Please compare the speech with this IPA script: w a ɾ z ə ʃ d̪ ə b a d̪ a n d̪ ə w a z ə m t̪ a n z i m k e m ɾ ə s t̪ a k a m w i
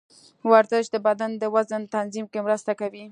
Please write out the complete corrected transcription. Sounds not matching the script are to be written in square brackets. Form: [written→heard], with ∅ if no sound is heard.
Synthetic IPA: w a ɾ z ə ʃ d̪ ə b a d̪ a n d̪ ə w a z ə [m→n] t̪ a n z i m k e m ɾ ə s t̪ a k a [m→∅] w i